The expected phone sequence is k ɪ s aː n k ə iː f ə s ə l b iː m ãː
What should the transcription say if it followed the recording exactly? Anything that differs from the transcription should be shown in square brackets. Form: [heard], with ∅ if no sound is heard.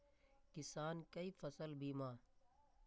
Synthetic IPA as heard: k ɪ s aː n k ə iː f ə s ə l b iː m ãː